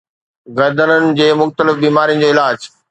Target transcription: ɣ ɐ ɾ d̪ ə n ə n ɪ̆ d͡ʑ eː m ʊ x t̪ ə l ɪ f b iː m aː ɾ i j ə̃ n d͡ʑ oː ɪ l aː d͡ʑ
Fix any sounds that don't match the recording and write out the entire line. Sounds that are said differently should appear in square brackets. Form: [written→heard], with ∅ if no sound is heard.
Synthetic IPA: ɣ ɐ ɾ d̪ ə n ə n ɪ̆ d͡ʑ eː m ʊ x t̪ ə l ɪ f b iː m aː ɾ i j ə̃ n d͡ʑ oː ɪ l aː d͡ʑ